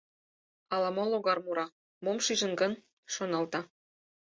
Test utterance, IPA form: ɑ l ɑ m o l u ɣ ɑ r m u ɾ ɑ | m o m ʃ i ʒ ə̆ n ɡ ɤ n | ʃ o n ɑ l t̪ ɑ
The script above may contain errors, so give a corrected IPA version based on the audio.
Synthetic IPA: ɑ l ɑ m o l o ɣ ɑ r m u ɾ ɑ | m o m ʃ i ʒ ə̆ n ɡ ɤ n | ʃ o n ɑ l t̪ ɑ